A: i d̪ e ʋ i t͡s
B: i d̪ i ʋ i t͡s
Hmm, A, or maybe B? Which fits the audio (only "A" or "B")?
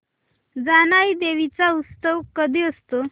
A